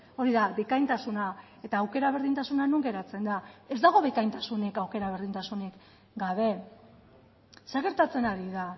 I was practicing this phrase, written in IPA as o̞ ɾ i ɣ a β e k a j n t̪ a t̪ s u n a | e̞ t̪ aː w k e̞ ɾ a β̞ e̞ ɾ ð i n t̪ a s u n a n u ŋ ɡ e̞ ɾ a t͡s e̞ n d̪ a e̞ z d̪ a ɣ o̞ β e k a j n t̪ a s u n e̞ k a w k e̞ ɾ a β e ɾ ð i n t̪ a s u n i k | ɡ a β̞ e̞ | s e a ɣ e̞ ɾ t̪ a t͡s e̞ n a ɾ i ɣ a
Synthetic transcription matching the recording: o̞ ɾ i ð a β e k a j n t̪ a s u n a | e̞ t̪ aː w k e̞ ɾ a β̞ e̞ ɾ ð i n t̪ a s u n a n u ŋ ɡ e̞ ɾ a t͡s e̞ n d̪ a e̞ z d̪ a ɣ o̞ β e k a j n t̪ a s u n e̞ k a w k e̞ ɾ a β e ɾ ð i n t̪ a s u n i k | ɡ a β̞ e̞ | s e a ɣ e̞ ɾ t̪ a t͡s e̞ n a ɾ i ð a